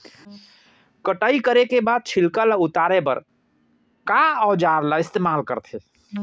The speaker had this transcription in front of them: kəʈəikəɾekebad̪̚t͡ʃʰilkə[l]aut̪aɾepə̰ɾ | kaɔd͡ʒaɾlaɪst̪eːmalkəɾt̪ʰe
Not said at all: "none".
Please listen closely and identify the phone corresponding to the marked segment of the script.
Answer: l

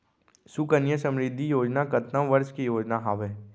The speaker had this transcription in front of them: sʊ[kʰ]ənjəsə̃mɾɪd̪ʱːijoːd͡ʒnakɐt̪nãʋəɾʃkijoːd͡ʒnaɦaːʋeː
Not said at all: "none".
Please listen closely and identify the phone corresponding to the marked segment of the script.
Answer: k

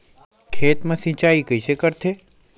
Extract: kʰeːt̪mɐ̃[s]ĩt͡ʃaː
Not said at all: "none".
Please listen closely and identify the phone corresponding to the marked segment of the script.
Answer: s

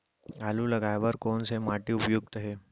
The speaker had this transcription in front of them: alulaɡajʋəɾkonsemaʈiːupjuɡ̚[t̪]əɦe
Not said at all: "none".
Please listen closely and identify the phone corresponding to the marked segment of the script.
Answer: t̪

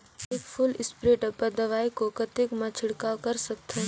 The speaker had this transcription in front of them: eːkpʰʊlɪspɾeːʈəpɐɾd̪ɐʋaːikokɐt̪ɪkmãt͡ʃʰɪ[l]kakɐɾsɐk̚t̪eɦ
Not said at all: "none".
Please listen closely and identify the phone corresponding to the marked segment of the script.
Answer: ɽ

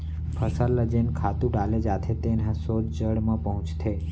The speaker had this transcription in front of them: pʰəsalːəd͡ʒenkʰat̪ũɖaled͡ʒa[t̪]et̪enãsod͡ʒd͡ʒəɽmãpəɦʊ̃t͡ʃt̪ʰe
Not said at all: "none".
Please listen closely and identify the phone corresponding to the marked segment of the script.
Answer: t̪ʰ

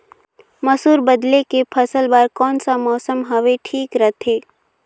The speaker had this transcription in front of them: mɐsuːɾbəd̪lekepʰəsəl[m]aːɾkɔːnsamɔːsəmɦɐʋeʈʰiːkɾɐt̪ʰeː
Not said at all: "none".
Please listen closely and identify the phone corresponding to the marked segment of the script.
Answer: b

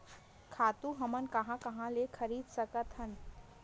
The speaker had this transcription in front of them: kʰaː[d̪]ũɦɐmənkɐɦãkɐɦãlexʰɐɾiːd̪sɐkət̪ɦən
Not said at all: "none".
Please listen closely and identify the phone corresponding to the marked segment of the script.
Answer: t̪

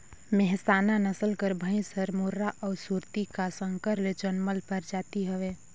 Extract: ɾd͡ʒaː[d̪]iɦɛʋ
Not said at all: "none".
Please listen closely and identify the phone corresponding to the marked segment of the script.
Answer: t̪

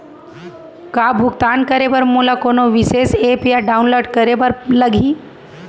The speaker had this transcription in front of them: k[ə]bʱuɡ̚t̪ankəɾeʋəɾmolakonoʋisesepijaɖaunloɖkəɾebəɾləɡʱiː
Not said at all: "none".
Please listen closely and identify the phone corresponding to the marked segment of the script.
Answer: a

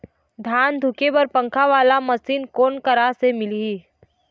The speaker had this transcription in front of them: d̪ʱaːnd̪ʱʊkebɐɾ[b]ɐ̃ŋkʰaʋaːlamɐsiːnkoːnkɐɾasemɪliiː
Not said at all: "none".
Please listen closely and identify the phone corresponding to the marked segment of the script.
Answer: p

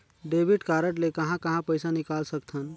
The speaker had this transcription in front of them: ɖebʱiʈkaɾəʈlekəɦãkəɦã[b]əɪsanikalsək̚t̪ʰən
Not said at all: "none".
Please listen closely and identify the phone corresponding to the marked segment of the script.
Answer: p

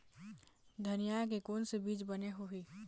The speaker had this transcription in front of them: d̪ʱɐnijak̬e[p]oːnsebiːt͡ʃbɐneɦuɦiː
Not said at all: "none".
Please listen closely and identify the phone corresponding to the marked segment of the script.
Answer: k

